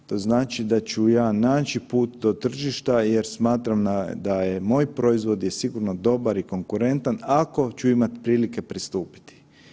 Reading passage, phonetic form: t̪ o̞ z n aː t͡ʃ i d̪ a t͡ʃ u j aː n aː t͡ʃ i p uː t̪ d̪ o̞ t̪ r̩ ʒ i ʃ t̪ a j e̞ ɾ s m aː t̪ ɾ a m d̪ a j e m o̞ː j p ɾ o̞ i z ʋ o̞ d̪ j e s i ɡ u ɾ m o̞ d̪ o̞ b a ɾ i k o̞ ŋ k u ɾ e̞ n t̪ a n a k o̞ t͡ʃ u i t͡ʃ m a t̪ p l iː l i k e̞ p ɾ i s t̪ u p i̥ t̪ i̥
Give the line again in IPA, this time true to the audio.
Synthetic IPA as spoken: t̪ o̞ z n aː t͡ʃ i d̪ a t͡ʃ u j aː n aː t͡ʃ i p uː t̪ d̪ o̞ t̪ r̩ ʒ i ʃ t̪ a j e̞ ɾ s m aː t̪ ɾ a m d̪ a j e m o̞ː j p ɾ o̞ i z ʋ o̞ d̪ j e s i ɡ u ɾ n o̞ d̪ o̞ b a ɾ i k o̞ ŋ k u ɾ e̞ n t̪ a n a k o̞ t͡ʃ u i m a t̪ p ɾ iː l i k e̞ p ɾ i s t̪ uː p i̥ t̪ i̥